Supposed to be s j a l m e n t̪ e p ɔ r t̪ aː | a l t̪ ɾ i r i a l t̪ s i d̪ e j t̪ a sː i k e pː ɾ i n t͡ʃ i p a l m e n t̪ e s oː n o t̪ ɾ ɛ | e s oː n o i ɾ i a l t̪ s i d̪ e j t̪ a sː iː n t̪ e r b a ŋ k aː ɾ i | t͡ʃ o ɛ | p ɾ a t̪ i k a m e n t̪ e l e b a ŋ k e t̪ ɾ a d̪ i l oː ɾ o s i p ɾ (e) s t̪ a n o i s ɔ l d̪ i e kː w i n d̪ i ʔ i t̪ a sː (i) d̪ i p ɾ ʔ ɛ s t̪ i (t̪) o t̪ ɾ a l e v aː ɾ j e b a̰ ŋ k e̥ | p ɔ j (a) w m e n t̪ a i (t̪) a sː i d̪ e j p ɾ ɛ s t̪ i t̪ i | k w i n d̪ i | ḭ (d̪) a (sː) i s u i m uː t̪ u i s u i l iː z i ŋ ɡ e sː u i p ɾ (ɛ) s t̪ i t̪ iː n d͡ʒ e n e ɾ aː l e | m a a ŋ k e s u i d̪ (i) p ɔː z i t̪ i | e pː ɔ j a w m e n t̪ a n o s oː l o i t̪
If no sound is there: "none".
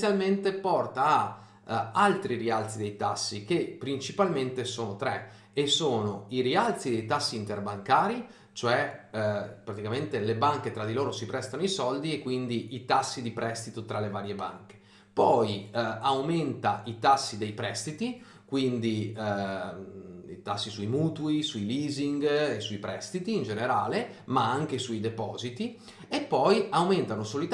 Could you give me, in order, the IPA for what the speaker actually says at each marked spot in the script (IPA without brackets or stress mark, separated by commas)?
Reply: ɛ, i, t̪, a, t̪, t̪, sː, ɛ, e